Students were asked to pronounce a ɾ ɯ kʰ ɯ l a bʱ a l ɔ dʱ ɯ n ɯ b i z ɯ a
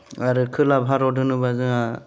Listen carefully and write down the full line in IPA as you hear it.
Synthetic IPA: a ɾ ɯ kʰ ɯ l a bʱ a ɾ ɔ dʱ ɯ n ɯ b a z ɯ a